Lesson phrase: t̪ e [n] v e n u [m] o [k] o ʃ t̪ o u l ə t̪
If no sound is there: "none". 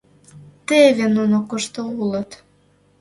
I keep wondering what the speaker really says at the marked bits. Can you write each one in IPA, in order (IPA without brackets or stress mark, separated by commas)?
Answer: none, n, k